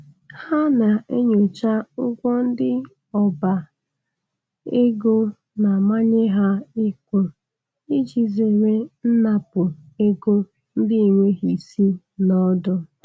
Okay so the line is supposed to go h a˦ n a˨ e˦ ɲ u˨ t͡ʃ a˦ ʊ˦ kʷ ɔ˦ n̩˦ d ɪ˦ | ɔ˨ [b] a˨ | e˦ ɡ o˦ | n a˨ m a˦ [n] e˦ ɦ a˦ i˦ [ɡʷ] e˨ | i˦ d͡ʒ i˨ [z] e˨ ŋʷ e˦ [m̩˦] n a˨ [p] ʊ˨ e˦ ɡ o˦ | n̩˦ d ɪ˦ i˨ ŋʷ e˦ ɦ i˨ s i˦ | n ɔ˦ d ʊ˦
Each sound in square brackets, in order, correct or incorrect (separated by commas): correct, incorrect, incorrect, correct, incorrect, correct